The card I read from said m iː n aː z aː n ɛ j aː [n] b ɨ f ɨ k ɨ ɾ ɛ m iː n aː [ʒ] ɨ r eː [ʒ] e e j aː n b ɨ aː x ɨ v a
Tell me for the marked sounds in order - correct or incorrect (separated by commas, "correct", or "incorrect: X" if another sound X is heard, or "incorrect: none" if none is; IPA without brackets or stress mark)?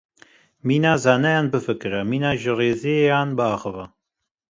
correct, correct, incorrect: z